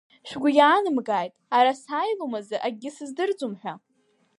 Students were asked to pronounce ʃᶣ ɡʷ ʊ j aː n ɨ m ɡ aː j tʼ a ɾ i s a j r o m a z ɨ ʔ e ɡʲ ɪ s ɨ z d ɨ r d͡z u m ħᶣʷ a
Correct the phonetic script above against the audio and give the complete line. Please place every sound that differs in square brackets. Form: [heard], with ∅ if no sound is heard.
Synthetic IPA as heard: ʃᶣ ɡʷ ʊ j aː n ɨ m ɡ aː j tʼ a ɾ [a] s a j [l] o m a z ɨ ʔ [a] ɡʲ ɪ s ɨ z d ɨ r d͡z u m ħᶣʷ a